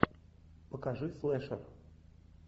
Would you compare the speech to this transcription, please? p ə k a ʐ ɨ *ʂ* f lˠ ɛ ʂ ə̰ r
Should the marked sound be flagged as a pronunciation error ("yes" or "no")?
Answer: yes